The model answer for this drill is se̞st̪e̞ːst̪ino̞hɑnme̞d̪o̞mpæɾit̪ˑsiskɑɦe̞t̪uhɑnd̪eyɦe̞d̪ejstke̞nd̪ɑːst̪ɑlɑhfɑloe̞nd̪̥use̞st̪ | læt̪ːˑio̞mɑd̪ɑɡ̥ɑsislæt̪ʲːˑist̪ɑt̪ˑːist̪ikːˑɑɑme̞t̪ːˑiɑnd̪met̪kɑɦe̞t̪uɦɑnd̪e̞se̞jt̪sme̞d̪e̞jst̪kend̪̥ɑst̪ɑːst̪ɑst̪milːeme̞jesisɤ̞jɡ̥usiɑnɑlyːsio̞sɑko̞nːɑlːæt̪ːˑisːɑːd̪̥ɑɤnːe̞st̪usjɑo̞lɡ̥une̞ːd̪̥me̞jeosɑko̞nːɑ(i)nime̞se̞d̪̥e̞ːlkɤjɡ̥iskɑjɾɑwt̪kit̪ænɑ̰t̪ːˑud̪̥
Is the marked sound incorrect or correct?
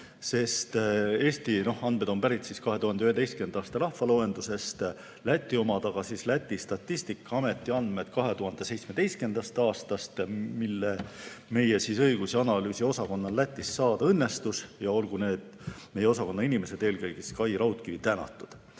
correct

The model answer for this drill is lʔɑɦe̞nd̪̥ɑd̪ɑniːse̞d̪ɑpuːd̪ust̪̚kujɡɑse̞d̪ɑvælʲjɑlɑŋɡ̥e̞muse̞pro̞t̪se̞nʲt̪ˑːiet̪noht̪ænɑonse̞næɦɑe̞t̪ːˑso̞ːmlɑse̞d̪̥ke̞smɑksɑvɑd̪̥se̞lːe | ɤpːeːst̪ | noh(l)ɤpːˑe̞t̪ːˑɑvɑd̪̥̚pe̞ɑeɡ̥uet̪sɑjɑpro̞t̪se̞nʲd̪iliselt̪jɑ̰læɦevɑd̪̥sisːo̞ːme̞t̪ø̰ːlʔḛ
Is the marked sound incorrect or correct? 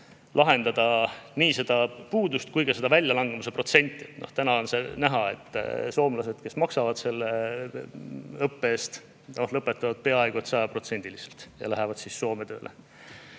correct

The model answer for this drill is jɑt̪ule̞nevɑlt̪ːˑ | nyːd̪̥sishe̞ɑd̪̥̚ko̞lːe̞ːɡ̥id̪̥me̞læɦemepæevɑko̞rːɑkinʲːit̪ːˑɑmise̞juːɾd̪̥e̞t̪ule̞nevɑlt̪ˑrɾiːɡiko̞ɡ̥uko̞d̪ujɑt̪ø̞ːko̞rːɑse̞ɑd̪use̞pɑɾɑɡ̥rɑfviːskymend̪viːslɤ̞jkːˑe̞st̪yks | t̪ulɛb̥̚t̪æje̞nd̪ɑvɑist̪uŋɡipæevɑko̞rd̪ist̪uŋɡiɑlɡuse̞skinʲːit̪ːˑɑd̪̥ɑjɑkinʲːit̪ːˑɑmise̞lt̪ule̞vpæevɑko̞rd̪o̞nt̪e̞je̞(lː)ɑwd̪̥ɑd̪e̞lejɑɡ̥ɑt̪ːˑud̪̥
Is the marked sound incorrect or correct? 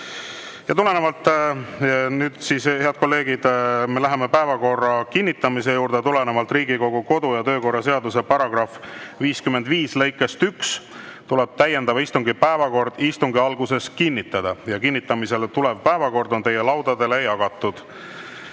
incorrect: l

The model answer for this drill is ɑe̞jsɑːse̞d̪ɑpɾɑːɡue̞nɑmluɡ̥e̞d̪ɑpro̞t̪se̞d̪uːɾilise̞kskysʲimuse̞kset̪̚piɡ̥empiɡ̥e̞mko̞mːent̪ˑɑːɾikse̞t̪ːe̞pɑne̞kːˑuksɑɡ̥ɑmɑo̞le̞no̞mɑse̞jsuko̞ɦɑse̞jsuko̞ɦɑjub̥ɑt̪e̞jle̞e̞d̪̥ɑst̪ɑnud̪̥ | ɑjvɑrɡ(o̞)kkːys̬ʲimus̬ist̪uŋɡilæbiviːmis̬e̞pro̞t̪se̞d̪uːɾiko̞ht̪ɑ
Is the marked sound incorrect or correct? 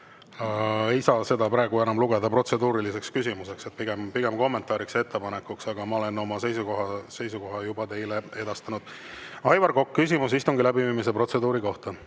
correct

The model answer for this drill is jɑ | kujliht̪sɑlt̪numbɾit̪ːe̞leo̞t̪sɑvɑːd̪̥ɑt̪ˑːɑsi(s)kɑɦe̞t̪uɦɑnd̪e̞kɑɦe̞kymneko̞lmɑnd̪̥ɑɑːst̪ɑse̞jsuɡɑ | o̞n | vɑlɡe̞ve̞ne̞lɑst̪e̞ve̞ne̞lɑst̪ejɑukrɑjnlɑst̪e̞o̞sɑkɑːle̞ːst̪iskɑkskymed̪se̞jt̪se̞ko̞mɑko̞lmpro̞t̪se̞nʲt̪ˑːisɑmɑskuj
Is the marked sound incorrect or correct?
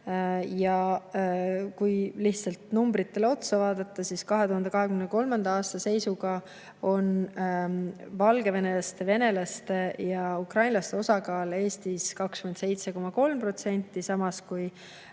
correct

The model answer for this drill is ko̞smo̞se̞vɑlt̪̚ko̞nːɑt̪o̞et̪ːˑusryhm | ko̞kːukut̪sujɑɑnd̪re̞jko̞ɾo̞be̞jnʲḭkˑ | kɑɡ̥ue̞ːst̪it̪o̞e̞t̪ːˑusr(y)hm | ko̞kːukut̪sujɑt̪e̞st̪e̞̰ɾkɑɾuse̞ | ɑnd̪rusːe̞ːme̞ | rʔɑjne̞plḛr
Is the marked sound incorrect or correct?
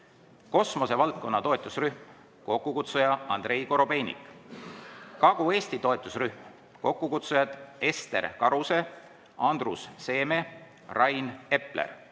correct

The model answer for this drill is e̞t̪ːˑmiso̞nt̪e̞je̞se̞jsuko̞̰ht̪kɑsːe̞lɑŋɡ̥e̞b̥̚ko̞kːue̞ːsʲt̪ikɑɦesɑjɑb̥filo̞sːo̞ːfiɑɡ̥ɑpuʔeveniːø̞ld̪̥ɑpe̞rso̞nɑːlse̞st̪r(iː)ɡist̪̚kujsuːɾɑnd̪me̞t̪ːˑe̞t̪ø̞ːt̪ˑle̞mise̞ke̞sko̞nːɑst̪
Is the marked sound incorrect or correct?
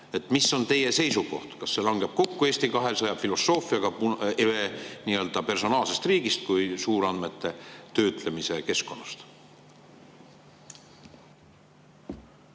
correct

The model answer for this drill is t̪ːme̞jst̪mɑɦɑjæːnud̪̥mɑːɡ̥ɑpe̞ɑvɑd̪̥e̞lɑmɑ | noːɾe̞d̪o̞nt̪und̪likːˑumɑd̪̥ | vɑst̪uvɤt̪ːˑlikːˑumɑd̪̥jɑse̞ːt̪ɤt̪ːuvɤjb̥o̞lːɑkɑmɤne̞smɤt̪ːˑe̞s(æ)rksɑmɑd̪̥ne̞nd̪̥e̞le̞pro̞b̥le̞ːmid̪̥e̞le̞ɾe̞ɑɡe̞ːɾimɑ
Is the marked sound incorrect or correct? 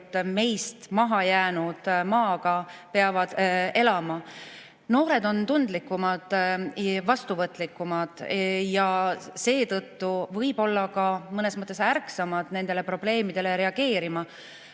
correct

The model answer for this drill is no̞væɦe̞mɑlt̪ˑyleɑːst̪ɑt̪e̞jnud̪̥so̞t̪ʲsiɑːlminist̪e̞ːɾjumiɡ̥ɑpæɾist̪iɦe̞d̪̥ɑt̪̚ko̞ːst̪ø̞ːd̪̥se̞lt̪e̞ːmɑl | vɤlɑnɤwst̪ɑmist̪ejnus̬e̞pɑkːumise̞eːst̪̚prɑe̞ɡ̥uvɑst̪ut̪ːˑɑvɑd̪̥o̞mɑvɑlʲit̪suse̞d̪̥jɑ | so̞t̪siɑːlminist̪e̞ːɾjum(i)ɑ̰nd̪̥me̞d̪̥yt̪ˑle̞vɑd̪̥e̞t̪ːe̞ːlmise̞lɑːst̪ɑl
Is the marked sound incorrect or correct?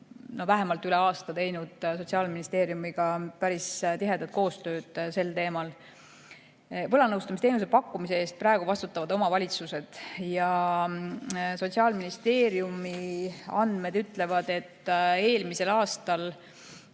correct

